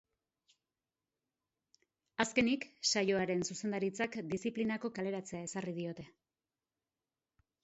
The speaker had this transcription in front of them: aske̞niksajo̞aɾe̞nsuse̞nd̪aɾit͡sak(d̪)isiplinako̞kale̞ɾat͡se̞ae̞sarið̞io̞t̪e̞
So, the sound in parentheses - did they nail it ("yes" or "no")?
yes